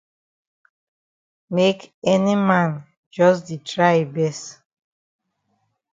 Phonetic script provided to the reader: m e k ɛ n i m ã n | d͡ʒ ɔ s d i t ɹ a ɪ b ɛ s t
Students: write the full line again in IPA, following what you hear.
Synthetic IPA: m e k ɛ n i m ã n | d͡ʒ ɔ s d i t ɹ a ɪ b ɛ s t